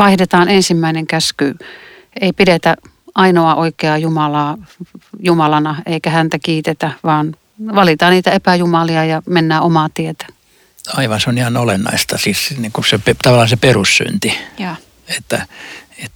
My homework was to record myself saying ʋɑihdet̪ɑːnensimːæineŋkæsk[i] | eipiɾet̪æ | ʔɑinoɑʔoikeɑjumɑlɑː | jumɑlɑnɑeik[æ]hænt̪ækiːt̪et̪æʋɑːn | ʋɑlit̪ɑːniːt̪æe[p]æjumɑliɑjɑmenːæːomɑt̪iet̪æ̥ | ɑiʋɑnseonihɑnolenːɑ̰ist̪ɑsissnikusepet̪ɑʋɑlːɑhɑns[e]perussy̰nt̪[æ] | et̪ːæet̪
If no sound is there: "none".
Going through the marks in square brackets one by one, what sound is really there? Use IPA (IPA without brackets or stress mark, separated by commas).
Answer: y, æ, p, e, i